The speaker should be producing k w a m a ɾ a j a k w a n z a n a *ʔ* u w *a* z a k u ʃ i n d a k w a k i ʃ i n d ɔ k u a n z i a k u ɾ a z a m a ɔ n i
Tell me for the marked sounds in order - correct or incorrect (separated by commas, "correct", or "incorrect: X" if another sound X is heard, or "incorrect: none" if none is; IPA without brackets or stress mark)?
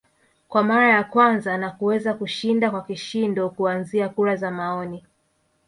incorrect: k, incorrect: ɛ